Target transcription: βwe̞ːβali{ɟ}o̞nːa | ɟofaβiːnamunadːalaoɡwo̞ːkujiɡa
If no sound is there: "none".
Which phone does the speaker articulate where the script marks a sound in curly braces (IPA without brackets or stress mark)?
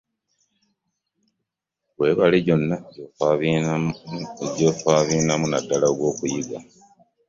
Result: ɟ